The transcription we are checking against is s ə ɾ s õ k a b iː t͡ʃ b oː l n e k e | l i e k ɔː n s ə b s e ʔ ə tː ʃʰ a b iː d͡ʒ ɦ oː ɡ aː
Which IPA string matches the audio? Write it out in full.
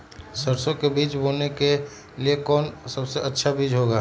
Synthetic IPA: s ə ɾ s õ k e b iː t͡ʃ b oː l n e k e | l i e k ɔː n s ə b s e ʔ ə tː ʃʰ a b iː d͡ʒ ɦ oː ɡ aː

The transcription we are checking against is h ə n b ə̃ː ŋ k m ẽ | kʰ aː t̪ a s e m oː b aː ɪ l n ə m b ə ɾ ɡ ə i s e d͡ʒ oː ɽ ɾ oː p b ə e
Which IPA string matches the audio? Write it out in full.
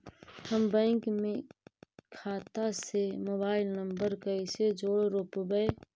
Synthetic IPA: h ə m b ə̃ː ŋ k m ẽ | kʰ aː t̪ a s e m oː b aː ɪ l n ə m b ə ɾ k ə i s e d͡ʒ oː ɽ ɾ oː p b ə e

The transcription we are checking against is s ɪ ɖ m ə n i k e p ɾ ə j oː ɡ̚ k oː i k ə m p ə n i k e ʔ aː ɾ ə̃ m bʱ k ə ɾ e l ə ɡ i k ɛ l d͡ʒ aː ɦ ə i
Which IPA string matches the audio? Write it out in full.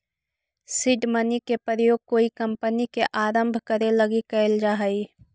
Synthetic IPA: s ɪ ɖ m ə n i k e p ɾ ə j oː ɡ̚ k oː i k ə m p ə n i k e ʔ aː ɾ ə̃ m bʱ k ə ɾ e l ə ɡ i k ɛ l d͡ʒ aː ɦ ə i

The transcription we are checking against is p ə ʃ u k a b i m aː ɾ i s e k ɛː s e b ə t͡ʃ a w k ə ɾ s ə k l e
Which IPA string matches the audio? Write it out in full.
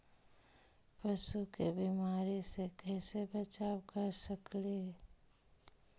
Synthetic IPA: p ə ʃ u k e b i m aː ɾ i s e k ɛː s e b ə t͡ʃ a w k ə ɾ s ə k l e

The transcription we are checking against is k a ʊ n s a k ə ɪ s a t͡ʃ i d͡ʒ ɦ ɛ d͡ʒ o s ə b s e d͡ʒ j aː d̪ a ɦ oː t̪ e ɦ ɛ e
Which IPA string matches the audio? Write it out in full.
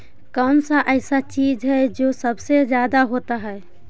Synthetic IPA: k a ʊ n s a ʔ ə ɪ s a t͡ʃ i d͡ʒ ɦ ɛ d͡ʒ o s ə b s e d͡ʒ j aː d̪ a ɦ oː t̪ a ɦ ɛ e

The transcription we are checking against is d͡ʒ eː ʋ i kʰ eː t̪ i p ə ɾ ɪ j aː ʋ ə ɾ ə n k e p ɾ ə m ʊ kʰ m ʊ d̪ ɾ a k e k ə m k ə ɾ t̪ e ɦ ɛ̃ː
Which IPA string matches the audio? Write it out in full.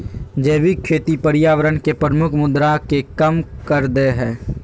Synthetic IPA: d͡ʒ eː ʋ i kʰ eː t̪ i p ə ɾ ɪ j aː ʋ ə ɾ ə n k e p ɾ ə m ʊ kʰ m ʊ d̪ ɾ a k e k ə m k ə ɾ d̪ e ɦ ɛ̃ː

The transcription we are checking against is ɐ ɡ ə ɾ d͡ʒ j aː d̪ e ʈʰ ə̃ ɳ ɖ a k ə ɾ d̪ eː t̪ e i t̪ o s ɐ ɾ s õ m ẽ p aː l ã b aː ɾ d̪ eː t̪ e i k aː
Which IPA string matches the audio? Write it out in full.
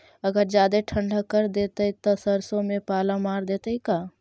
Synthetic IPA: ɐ ɡ ə ɾ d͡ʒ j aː d̪ e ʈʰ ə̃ ɳ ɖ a k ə ɾ d̪ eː t̪ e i t̪ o s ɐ ɾ s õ m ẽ p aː l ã m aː ɾ d̪ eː t̪ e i k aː

